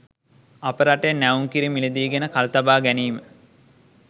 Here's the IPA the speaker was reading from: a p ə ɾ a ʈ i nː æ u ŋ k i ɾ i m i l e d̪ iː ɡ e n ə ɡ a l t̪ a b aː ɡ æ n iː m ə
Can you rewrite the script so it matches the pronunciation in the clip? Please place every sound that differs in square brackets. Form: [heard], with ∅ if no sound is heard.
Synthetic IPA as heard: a p ə ɾ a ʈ [e] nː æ u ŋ k i ɾ i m i l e d̪ iː ɡ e n ə [k] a l t̪ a b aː ɡ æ n iː m ə